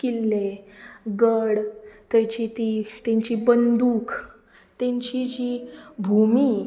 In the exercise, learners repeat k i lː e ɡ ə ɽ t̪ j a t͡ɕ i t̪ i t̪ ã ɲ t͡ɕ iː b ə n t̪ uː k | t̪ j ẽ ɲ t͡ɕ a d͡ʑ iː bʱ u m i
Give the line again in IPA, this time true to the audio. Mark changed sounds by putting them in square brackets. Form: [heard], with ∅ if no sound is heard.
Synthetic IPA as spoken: k i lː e ɡ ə ɽ t̪ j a t͡ɕ i t̪ i t̪ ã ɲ t͡ɕ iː b ə n [d̪] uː k | t̪ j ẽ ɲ t͡ɕ [i] d͡ʑ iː bʱ u m i

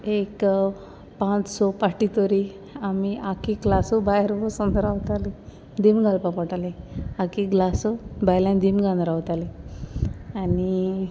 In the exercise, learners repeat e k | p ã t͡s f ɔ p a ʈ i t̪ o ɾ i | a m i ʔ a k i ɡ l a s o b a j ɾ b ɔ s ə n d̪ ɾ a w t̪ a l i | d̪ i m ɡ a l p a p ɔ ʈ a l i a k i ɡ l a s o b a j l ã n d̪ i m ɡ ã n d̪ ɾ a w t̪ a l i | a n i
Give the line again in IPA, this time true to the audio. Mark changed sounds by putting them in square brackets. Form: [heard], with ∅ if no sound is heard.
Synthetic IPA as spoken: e k | p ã t͡s [s] ɔ p a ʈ i t̪ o ɾ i | a m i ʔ a k i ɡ l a s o b a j ɾ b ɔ s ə n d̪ ɾ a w t̪ a l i | d̪ i m ɡ a l p a p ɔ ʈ a l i a k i ɡ l a s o b a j l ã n d̪ i m ɡ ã n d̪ ɾ a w t̪ a l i | a n i

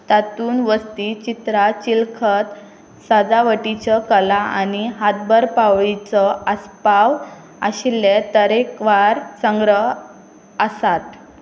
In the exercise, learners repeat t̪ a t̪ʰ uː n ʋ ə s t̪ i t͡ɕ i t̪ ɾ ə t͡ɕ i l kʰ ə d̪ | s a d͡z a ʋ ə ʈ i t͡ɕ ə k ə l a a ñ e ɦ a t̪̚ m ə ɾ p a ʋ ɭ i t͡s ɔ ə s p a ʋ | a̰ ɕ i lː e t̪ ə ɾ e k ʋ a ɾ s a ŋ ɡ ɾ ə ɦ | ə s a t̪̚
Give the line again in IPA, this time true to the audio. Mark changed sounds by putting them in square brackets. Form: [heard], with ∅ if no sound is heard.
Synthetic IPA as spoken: t̪ a [t̪] uː n ʋ ə s t̪ i t͡ɕ i t̪ ɾ [a] t͡ɕ i l kʰ ə [t̪] | s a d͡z a ʋ ə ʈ i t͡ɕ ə k ə l a a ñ [i] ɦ a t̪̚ [b] ə ɾ p a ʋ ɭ i t͡s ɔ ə s p a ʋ | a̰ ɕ i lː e t̪ ə ɾ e k ʋ a ɾ s [ə] ŋ ɡ ɾ ə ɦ | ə s a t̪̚

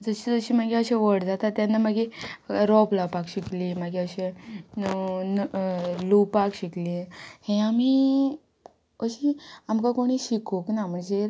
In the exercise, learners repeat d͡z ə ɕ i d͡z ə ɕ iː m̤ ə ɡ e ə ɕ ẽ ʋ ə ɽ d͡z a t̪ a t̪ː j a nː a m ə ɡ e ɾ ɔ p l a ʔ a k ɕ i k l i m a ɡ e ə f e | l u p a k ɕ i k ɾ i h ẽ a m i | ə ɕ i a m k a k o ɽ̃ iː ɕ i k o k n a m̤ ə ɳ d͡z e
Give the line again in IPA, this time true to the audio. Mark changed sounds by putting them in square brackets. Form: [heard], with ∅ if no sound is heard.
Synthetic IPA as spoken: d͡z ə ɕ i d͡z ə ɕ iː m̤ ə ɡ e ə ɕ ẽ ʋ ə ɽ d͡z a t̪ a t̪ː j a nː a m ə ɡ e ɾ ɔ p l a [p] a k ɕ i k l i m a ɡ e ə [ɕ] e | l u p a k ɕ i k [l] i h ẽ a m i | ə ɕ i a m k a k o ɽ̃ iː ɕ i k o k n a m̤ ə ɳ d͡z e

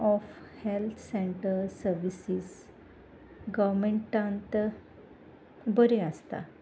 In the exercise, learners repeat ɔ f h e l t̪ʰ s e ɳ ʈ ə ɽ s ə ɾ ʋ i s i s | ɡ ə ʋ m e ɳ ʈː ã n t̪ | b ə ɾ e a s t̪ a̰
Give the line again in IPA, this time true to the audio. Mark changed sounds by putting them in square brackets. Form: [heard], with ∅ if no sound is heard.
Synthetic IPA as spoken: ɔ f h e l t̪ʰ s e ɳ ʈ ə [ɾ] s ə ɾ ʋ i s i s | ɡ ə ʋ m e ɳ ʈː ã n t̪ | b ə ɾ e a s t̪ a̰

